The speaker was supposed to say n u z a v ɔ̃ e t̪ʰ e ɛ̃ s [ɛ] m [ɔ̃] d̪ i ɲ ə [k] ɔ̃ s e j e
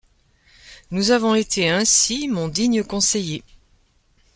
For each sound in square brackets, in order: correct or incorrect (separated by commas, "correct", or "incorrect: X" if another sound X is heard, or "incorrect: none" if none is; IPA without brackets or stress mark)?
incorrect: i, correct, correct